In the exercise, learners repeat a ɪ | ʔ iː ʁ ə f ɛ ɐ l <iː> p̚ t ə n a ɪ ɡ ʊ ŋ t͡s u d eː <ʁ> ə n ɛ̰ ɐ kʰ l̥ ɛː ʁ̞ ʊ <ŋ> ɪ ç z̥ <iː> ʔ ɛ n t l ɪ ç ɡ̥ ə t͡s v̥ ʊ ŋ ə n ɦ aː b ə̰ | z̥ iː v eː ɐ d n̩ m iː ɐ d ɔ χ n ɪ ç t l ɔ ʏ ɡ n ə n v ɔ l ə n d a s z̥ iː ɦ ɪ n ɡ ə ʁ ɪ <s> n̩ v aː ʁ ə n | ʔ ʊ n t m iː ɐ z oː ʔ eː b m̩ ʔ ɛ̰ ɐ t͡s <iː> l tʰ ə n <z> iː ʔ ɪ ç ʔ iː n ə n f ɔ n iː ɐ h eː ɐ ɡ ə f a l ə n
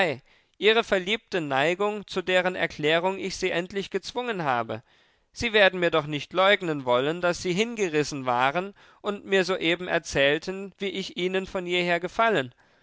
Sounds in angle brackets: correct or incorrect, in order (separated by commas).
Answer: correct, correct, correct, correct, correct, incorrect, incorrect